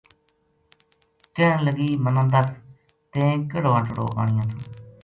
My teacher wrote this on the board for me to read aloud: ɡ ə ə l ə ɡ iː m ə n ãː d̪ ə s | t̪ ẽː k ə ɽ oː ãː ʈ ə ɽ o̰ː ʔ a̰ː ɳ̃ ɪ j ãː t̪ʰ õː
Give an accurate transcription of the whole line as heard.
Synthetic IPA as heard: k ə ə l ə ɡ iː m ə n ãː d̪ ə s | t̪ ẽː k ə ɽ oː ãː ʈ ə ɽ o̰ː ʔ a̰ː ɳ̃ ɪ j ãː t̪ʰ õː